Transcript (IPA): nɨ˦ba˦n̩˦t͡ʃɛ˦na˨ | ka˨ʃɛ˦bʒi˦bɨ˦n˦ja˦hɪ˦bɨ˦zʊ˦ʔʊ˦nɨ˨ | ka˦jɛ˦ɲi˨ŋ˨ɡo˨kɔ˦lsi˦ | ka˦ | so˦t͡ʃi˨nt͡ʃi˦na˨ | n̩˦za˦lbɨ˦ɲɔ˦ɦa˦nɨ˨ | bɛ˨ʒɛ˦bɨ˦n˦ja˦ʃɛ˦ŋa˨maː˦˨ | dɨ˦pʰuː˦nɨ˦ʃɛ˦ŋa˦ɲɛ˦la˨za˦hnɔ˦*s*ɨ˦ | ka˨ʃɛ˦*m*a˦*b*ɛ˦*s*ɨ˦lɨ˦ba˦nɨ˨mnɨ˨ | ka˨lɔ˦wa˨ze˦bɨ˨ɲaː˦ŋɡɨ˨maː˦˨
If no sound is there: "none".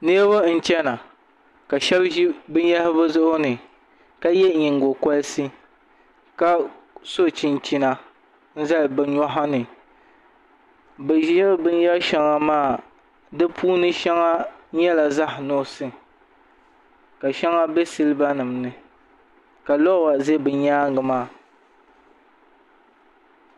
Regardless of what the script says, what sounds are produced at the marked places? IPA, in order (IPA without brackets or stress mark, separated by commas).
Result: s, ŋ, b, s